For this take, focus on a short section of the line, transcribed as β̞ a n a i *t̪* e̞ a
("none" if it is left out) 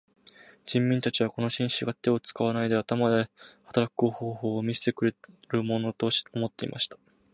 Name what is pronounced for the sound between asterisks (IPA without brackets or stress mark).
d̪